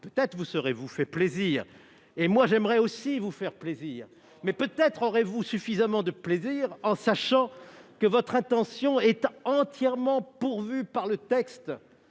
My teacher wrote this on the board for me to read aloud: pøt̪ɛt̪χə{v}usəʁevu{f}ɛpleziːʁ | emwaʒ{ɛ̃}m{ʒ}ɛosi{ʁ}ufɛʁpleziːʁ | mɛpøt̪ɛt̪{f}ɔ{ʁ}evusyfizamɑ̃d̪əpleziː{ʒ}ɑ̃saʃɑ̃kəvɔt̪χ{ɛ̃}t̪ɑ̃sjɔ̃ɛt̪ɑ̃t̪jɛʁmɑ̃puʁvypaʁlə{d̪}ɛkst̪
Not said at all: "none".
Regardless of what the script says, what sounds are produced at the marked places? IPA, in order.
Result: v, f, ɛ, ʁ, v, χ, ʁ, ʁ, ɛ̃, t̪

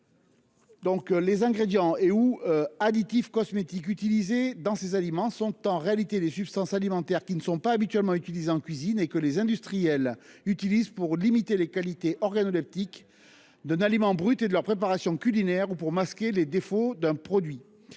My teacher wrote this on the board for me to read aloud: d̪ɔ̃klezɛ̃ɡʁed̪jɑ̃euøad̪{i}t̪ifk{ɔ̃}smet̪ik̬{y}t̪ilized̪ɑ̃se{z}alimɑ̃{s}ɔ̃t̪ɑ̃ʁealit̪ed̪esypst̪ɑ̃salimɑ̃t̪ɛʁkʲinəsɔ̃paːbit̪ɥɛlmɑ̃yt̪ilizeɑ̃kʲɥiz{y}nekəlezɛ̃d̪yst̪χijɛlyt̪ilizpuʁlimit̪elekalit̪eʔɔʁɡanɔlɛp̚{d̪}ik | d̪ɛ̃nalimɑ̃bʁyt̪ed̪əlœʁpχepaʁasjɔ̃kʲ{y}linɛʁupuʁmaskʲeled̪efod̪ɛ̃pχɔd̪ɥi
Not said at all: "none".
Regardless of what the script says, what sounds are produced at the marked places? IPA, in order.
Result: i, ɔ, y, z, s, i, t̪, y

